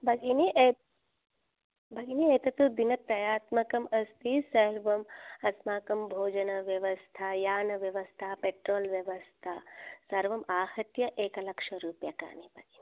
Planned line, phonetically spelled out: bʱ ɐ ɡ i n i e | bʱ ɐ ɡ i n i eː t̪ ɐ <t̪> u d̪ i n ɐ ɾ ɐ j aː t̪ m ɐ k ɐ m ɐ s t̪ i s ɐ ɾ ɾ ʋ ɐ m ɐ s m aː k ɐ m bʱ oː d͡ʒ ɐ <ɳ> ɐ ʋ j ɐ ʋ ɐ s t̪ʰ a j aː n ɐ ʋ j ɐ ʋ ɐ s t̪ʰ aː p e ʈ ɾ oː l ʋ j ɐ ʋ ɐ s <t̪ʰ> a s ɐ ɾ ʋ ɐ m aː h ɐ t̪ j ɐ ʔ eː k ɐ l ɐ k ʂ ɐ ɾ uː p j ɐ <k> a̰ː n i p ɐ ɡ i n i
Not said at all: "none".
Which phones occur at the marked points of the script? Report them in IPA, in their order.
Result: t̪, n, t̪ʰ, k

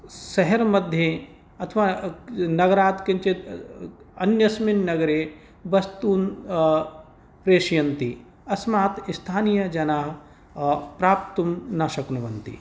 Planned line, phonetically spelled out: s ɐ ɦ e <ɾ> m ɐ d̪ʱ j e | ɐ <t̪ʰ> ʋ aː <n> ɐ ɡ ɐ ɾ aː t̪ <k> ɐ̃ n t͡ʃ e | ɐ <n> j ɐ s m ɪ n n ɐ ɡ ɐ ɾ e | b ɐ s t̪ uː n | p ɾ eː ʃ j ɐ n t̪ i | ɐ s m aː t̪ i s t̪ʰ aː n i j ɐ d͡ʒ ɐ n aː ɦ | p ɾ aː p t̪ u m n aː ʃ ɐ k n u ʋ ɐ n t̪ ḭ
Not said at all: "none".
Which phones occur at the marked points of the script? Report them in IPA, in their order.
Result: ɾ, t̪ʰ, n, k, n

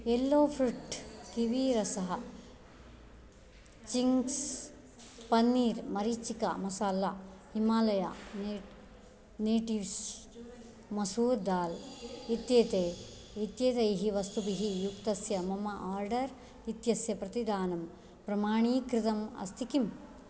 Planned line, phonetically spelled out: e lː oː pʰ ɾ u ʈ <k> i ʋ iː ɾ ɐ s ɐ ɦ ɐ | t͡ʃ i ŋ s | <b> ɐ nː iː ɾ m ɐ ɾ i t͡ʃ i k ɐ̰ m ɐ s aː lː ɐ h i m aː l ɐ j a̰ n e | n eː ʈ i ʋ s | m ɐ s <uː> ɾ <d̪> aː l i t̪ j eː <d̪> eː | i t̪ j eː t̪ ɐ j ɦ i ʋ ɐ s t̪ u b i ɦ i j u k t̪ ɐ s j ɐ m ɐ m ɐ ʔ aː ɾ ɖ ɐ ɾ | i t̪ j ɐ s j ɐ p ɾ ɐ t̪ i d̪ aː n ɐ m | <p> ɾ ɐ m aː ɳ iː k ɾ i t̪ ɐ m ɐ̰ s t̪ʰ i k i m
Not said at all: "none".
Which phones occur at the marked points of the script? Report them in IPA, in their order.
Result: k, p, uː, d̪, t̪, p

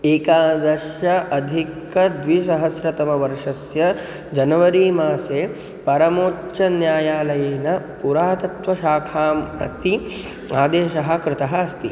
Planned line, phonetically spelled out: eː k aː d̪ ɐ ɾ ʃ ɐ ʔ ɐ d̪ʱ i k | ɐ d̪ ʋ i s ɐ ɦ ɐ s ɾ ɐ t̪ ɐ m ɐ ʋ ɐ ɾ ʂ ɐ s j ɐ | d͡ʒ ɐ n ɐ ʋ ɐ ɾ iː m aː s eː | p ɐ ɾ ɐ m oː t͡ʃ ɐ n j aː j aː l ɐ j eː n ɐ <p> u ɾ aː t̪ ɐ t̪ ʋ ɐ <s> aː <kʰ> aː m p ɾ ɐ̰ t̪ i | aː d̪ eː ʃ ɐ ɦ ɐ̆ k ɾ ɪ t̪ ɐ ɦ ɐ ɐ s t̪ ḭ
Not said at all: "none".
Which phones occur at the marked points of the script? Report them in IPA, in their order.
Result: p, ʃ, kʰ

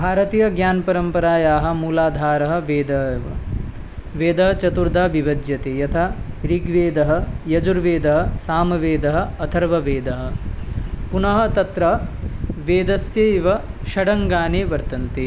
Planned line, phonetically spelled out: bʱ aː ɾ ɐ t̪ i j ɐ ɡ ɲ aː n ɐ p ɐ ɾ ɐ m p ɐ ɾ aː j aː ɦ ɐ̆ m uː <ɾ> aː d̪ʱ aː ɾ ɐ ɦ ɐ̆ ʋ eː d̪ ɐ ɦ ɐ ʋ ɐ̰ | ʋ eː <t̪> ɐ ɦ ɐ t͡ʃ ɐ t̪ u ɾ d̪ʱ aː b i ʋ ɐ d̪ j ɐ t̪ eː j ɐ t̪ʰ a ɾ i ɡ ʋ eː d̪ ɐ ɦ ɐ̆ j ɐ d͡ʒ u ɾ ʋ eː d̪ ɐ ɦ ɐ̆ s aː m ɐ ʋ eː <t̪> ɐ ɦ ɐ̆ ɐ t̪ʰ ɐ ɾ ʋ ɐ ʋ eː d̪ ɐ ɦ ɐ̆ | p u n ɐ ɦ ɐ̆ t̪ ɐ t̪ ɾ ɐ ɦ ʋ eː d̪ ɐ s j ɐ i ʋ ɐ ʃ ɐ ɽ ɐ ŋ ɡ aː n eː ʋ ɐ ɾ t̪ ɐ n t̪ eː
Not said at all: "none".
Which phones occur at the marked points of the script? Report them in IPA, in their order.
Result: l, d̪, d̪

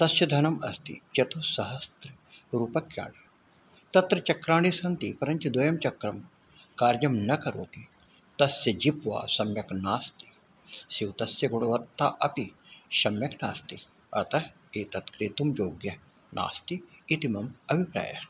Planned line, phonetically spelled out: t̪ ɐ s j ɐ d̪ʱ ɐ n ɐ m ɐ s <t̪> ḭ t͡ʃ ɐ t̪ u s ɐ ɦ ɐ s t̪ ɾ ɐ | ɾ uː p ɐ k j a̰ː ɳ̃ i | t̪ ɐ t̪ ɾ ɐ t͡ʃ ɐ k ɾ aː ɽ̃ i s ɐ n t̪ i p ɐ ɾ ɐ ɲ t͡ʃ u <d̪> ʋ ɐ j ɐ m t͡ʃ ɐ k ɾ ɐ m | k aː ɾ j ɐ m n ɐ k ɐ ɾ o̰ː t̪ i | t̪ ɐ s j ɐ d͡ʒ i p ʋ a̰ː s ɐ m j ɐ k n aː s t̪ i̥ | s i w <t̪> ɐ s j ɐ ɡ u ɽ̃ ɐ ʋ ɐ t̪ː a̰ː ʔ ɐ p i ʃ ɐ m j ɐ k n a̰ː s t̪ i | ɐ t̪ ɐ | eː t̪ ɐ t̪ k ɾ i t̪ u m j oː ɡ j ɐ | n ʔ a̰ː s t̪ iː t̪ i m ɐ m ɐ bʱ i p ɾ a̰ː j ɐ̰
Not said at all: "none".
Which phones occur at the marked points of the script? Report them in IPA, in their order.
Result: t̪, d̪, t̪

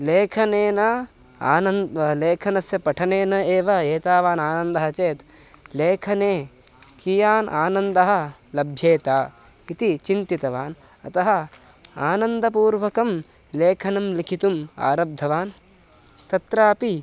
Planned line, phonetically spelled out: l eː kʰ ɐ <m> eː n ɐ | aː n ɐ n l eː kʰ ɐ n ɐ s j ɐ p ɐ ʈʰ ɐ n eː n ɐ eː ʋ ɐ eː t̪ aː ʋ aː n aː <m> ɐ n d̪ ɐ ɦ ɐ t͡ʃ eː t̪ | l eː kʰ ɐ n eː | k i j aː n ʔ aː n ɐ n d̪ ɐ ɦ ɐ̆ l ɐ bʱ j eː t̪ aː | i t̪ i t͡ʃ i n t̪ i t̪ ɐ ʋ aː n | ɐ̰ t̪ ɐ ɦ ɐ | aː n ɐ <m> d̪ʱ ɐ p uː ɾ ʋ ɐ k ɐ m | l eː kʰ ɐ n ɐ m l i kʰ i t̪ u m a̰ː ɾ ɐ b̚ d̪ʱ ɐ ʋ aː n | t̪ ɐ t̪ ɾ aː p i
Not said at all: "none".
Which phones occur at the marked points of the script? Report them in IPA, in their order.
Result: n, n, n

